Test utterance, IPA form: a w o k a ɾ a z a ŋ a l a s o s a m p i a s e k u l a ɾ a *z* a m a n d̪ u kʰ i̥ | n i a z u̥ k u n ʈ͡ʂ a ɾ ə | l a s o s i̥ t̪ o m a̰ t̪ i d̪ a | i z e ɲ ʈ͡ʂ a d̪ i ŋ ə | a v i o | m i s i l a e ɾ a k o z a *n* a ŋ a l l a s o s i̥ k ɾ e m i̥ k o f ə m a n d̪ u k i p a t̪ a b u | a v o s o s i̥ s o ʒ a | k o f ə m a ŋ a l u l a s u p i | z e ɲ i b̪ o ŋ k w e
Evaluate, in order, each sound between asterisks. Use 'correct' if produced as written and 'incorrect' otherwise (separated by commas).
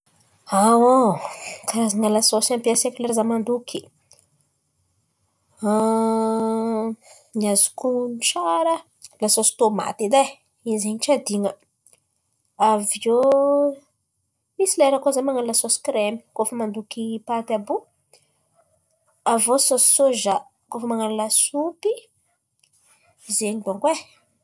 correct, incorrect